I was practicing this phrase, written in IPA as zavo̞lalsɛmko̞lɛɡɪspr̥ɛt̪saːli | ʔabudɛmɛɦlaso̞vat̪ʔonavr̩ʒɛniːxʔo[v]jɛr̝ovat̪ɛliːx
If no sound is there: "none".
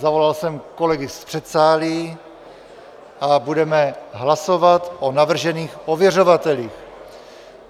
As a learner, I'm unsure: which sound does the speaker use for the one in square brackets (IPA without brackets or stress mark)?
v